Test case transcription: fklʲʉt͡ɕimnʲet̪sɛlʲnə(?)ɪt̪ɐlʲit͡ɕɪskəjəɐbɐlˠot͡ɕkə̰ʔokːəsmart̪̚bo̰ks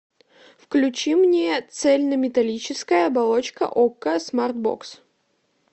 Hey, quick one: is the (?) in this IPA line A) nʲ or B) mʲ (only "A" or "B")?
B